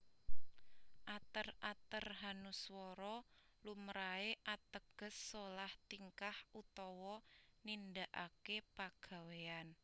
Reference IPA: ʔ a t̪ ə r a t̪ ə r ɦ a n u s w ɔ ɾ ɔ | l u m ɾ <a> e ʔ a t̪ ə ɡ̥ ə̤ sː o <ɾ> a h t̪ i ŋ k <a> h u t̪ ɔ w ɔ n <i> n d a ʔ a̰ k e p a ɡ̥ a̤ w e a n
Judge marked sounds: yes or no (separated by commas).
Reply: yes, no, yes, yes